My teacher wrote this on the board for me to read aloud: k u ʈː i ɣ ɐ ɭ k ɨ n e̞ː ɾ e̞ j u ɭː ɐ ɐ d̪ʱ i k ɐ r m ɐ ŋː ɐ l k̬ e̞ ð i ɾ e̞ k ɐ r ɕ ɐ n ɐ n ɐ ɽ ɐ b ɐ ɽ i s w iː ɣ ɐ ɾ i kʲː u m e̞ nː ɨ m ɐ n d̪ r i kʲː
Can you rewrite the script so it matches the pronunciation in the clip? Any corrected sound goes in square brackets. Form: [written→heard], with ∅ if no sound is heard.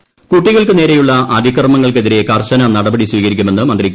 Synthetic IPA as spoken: k u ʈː i ɣ ɐ ɭ k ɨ n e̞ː ɾ e̞ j u ɭː ɐ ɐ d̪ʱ i k ɐ r m ɐ ŋː ɐ [l→ɭ] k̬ e̞ ð i ɾ e̞ k ɐ r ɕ ɐ n ɐ n ɐ ɽ ɐ b ɐ ɽ i s w iː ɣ ɐ ɾ i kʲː u m e̞ nː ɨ m ɐ n d̪ r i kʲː